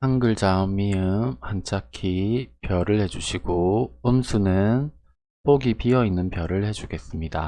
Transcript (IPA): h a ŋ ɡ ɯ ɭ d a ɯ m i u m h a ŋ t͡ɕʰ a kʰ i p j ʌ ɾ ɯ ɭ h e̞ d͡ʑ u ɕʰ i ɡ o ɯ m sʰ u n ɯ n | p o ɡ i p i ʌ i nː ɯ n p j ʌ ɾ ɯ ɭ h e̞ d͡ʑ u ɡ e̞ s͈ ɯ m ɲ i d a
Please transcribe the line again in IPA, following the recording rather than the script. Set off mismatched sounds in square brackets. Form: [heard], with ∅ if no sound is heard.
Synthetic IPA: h a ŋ ɡ ɯ ɭ [d͡ʑ] a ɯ m i [ɯ] m h a [n] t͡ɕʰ a kʰ i p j ʌ ɾ ɯ ɭ h e̞ d͡ʑ u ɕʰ i ɡ o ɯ m sʰ u n ɯ n | p o ɡ i p i ʌ i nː ɯ n p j ʌ ɾ ɯ ɭ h e̞ d͡ʑ u ɡ e̞ s͈ ɯ m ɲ i d a

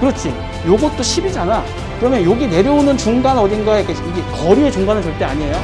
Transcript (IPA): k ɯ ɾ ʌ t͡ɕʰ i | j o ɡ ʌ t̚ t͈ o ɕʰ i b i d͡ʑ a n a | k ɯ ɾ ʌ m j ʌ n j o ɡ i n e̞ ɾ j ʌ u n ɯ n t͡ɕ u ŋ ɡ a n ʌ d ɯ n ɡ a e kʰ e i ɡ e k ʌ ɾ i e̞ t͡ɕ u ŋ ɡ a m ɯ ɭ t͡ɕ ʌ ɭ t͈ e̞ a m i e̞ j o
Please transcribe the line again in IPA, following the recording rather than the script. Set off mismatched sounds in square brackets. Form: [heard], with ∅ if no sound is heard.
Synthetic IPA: k ɯ ɾ ʌ t͡ɕʰ i | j o ɡ ʌ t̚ t͈ o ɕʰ i b i d͡ʑ a n a | k ɯ ɾ ʌ m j ʌ n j o ɡ i n e̞ ɾ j ʌ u n ɯ n t͡ɕ u ŋ ɡ a n ʌ d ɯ n ɡ a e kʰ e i ɡ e k ʌ ɾ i e̞ t͡ɕ u ŋ ɡ a [n] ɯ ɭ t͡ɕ ʌ ɭ t͈ e̞ a [ɲ] i e̞ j o

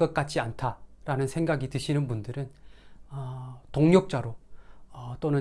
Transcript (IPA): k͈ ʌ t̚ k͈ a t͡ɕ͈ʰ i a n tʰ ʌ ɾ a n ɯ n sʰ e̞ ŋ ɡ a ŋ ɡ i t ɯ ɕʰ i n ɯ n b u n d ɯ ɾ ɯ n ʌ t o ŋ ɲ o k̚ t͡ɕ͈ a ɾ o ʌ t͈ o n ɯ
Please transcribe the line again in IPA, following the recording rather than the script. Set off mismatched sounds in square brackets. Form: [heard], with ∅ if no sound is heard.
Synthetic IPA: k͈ ʌ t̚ k͈ a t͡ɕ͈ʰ i a n tʰ [a] ɾ a n ɯ n sʰ e̞ ŋ ɡ a [∅] ɡ i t ɯ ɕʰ i n ɯ n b u n d ɯ ɾ ɯ n ʌ t o ŋ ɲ o k̚ t͡ɕ͈ a ɾ o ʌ t͈ o n ɯ

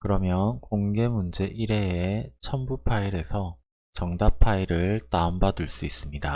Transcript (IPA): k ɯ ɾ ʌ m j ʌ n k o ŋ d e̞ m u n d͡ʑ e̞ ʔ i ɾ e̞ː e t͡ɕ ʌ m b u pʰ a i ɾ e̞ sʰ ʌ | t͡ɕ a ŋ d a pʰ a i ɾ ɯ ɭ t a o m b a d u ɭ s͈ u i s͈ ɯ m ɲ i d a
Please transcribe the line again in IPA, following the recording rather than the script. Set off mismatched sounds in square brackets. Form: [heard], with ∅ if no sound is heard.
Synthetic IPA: k ɯ ɾ ʌ m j ʌ n k o ŋ [ɡ] e̞ m u n d͡ʑ e̞ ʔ i ɾ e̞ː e [t͡ɕʰ] ʌ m b u pʰ a i ɾ e̞ sʰ ʌ | t͡ɕ [ʌ] ŋ d a pʰ a i ɾ ɯ ɭ t a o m b a d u ɭ s͈ u i s͈ ɯ m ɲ i d a

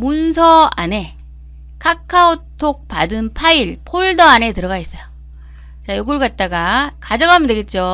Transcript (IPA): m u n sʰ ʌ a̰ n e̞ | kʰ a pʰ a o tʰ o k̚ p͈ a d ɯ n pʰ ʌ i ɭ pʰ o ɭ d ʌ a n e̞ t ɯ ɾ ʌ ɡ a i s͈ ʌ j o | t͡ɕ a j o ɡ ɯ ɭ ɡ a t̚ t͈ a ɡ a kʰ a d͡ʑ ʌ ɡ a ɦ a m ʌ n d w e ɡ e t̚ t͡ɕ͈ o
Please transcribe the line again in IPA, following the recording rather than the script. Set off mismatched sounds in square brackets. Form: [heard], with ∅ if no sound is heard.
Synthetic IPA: m u n sʰ ʌ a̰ n e̞ | kʰ a [kʰ] a o tʰ o k̚ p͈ a d ɯ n pʰ [a] i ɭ pʰ o ɭ d ʌ a n e̞ t ɯ ɾ ʌ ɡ a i s͈ ʌ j o | t͡ɕ a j o ɡ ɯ ɭ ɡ a t̚ t͈ a ɡ a [k] a d͡ʑ ʌ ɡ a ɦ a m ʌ n d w e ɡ e t̚ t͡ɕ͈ o

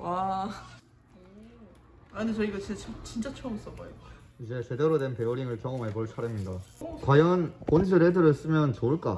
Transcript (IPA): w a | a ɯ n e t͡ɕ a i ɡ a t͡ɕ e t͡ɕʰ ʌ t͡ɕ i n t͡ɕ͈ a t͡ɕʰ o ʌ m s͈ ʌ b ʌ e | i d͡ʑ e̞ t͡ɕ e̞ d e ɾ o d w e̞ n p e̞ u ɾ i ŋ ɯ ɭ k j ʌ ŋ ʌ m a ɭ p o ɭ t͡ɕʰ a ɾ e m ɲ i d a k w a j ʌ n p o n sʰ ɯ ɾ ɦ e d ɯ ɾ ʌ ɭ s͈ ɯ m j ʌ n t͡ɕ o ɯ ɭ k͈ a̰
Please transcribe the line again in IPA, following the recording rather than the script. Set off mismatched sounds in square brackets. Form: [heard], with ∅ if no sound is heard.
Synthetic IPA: w a | a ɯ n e t͡ɕ [ʌ] i ɡ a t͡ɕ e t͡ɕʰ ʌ t͡ɕ i n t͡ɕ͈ a t͡ɕʰ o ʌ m s͈ ʌ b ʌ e | i d͡ʑ e̞ t͡ɕ e̞ d e ɾ o d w e̞ n p e̞ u ɾ i ŋ ɯ ɭ k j ʌ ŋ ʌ m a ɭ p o ɭ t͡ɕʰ a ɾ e m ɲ i d a k w a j ʌ n p o n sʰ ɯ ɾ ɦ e d ɯ ɾ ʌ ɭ s͈ ɯ m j ʌ n t͡ɕ o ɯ ɭ k͈ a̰

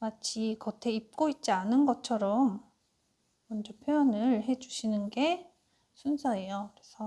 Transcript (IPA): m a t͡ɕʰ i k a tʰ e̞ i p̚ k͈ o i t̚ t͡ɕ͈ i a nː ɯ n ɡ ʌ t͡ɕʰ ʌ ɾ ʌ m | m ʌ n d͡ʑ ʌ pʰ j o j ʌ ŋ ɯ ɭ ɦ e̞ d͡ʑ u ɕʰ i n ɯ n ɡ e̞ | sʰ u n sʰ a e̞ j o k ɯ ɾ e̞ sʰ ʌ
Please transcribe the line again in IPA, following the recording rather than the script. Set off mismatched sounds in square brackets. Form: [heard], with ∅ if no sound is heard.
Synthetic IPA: m a t͡ɕʰ i k [ʌ] tʰ e̞ i p̚ k͈ o i t̚ t͡ɕ͈ i a [n] ɯ n ɡ ʌ t͡ɕʰ ʌ ɾ ʌ m | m ʌ n d͡ʑ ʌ pʰ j o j ʌ [n] ɯ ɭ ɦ e̞ d͡ʑ u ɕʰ i n ɯ n ɡ e̞ | sʰ u n sʰ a e̞ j o k ɯ ɾ e̞ sʰ ʌ

